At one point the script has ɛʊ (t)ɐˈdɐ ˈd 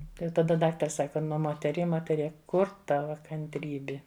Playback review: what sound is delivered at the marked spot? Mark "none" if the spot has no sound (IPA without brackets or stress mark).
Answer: t